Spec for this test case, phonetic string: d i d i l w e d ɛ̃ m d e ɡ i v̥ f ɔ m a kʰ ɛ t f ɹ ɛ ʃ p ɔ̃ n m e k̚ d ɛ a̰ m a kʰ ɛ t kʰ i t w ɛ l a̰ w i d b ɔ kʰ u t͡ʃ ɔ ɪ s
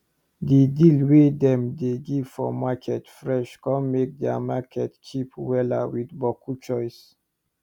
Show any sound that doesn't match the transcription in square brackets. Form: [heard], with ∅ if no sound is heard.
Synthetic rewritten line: d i d i l w e d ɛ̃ m d e ɡ i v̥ f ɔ m a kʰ ɛ t f ɹ ɛ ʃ [k] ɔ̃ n m e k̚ d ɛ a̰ m a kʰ ɛ t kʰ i [p] w ɛ l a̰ w i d b ɔ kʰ u t͡ʃ ɔ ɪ s